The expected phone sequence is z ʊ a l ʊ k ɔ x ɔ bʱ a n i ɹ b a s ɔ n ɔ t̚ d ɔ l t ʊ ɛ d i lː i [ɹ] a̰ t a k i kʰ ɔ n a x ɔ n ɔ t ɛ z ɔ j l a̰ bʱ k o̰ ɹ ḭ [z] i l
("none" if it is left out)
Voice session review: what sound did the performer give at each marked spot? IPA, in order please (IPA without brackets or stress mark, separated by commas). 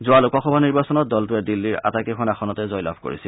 ɹ, s